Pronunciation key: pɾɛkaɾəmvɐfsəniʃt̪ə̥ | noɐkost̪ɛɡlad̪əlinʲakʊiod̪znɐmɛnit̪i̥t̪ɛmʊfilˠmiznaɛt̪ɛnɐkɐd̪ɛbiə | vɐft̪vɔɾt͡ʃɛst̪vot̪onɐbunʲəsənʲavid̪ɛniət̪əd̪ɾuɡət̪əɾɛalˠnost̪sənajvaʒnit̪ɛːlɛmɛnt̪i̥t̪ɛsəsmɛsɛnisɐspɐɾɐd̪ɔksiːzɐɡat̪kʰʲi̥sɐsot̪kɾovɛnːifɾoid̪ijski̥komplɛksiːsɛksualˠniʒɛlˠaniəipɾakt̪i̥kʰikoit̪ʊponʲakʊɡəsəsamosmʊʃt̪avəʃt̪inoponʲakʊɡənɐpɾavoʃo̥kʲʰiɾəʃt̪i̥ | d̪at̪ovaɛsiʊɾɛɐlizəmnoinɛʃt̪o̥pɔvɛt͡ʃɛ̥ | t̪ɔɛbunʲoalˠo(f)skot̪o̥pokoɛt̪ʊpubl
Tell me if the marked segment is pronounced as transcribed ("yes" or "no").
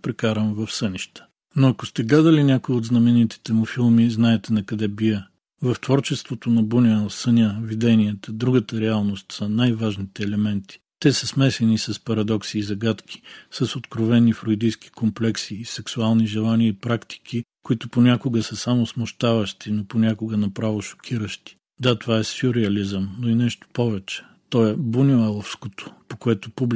yes